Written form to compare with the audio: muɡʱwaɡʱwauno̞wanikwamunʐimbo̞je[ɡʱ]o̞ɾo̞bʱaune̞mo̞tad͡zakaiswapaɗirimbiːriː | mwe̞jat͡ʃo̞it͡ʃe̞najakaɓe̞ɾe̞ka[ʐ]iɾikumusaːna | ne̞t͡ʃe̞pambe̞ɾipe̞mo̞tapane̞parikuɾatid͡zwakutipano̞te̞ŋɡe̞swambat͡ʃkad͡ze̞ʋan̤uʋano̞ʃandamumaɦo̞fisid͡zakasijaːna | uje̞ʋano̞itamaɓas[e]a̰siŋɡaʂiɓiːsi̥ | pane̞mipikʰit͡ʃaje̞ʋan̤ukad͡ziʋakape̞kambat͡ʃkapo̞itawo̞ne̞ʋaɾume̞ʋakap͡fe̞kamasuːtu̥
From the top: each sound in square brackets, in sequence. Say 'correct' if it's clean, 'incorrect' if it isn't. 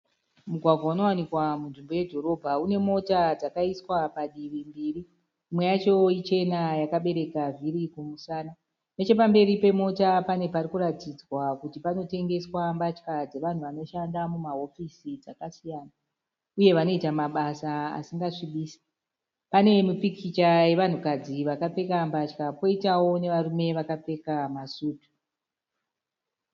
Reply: incorrect, incorrect, incorrect

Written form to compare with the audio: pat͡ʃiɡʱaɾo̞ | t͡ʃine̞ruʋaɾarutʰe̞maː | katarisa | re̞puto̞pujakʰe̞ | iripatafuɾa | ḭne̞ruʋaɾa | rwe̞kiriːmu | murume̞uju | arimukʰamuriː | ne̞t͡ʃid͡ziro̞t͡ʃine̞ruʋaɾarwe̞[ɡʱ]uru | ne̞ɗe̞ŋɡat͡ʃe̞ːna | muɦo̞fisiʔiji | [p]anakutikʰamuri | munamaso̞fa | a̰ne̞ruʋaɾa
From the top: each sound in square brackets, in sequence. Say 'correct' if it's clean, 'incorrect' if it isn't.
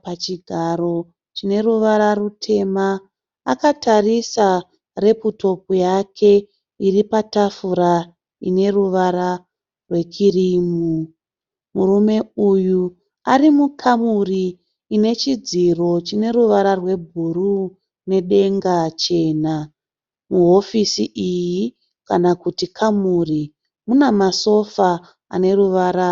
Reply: incorrect, incorrect

